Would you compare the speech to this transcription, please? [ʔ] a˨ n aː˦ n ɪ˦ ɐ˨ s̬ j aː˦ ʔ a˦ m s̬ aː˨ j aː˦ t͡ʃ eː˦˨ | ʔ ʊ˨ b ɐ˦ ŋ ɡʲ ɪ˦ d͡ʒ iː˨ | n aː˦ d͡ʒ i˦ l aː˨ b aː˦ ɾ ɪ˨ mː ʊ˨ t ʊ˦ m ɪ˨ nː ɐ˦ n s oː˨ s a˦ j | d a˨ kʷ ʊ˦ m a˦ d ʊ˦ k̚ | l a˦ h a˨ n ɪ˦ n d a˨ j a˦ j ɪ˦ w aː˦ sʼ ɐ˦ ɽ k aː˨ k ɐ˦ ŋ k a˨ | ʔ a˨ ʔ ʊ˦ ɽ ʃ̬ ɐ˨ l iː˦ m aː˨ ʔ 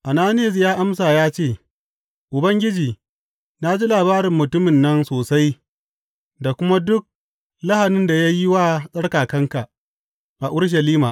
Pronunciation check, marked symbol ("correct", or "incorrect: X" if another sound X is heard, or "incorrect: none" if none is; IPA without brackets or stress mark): correct